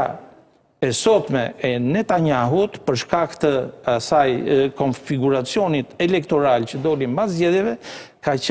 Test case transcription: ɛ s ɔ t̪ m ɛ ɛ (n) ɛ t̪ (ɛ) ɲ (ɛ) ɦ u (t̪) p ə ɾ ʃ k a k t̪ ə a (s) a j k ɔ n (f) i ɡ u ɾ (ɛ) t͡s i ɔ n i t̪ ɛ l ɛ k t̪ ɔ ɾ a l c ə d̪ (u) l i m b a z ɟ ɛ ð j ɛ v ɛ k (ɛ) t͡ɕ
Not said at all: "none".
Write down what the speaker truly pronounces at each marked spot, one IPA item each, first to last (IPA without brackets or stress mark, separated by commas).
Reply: n, a, a, t̪, s, f, a, ɔ, a